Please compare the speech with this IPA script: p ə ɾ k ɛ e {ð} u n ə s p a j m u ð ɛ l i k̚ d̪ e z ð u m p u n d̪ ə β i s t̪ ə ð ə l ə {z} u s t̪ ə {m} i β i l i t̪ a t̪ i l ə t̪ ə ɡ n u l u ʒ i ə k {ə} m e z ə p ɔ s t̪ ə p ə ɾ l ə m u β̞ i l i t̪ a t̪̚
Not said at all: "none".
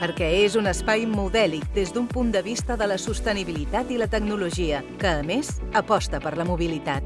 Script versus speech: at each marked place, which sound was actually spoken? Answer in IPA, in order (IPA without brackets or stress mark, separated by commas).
z, s, n, əː